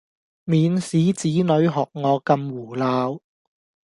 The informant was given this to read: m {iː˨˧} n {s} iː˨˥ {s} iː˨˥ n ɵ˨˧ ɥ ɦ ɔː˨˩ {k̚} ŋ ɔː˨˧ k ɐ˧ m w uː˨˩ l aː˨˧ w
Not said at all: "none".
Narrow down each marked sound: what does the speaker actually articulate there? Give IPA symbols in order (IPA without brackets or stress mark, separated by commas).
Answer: iː˨˧, s, t͡s, k̚